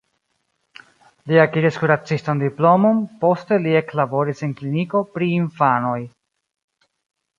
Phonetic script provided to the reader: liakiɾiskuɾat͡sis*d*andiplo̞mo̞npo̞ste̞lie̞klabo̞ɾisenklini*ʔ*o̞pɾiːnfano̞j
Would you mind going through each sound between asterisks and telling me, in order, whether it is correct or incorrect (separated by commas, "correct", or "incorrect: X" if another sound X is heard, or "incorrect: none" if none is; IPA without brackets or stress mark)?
incorrect: t, incorrect: k